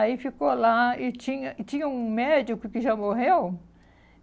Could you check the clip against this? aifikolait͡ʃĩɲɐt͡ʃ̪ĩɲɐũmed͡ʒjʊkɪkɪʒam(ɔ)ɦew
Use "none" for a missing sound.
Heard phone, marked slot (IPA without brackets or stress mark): o